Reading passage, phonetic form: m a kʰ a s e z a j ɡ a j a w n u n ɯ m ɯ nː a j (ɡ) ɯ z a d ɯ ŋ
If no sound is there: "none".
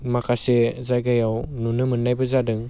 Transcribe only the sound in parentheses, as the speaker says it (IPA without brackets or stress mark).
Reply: b